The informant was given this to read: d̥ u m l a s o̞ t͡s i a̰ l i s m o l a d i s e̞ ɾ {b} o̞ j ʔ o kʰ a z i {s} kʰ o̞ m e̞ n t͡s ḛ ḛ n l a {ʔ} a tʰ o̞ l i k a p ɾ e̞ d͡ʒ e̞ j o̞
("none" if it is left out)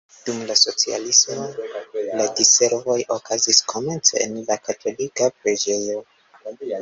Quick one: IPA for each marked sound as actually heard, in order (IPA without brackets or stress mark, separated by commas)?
v, s, k